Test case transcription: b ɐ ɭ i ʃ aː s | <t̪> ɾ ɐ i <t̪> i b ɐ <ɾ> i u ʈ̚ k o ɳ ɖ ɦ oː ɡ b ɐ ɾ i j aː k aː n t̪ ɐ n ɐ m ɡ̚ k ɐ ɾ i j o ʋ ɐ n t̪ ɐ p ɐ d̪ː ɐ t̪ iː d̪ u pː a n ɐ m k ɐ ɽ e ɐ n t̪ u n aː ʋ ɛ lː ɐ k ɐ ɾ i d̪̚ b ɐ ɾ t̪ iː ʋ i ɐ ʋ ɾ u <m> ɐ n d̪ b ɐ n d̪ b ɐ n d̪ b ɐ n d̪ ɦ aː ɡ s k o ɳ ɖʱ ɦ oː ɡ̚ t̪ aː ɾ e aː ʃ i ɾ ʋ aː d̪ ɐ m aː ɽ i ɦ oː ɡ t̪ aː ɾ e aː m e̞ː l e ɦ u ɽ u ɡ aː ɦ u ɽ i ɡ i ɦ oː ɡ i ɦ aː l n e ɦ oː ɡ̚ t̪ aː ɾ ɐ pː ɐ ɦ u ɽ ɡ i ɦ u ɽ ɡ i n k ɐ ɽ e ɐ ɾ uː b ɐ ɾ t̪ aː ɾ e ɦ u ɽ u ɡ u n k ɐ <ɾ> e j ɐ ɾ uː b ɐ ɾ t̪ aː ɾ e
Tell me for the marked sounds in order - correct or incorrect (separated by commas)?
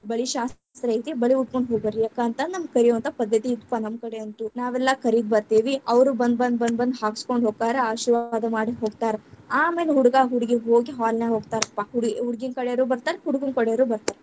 correct, correct, incorrect, incorrect, incorrect